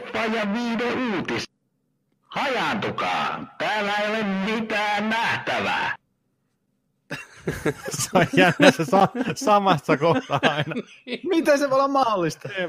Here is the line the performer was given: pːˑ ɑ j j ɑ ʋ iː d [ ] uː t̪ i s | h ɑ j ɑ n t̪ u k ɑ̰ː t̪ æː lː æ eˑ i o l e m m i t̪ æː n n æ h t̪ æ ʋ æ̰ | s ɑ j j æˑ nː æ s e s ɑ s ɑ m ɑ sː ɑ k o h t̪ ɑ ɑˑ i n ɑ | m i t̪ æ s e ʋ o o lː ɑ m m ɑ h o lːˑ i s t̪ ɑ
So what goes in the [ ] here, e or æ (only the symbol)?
e